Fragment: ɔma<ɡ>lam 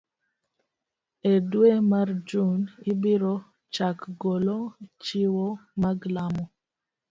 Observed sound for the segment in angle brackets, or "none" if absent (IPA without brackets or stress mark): ɡ